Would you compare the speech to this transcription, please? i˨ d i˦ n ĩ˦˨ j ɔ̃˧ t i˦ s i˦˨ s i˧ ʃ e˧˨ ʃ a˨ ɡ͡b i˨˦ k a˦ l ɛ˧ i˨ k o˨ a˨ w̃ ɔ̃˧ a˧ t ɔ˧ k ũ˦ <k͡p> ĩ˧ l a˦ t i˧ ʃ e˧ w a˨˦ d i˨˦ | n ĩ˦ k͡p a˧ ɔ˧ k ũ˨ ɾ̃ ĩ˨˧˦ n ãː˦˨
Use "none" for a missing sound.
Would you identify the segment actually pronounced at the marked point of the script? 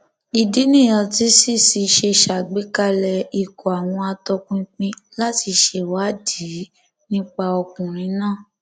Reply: k͡p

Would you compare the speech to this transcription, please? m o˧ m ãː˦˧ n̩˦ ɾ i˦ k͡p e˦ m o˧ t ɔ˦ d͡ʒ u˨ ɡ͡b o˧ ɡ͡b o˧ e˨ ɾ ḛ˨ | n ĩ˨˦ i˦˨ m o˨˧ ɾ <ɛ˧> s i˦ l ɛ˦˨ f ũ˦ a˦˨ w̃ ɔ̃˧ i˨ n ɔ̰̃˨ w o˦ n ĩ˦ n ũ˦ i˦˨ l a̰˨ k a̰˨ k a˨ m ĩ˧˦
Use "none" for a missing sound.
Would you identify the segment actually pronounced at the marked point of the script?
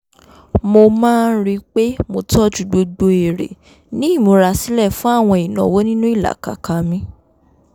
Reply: a˧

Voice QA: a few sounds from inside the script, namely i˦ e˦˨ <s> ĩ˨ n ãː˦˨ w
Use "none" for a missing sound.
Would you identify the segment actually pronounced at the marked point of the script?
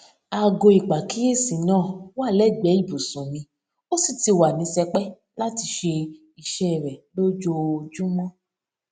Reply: s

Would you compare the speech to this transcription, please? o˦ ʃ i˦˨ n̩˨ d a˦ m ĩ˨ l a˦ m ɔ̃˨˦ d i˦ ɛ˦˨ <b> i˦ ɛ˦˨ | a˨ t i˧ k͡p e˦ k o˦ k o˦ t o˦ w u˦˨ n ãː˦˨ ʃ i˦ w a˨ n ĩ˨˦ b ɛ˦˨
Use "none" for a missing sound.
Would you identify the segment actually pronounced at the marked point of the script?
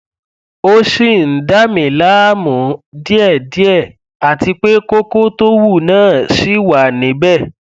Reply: d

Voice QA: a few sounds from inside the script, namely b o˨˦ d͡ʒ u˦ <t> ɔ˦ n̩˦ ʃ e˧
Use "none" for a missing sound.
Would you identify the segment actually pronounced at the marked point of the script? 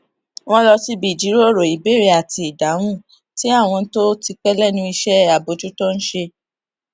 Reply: t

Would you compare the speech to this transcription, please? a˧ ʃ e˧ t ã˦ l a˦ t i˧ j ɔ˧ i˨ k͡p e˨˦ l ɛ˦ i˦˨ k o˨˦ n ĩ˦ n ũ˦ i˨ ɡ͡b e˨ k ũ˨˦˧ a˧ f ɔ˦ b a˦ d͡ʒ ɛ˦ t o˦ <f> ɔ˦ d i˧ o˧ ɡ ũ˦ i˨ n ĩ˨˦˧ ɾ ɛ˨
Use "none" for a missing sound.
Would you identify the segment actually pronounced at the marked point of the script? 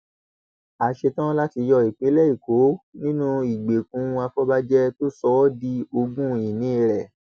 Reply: s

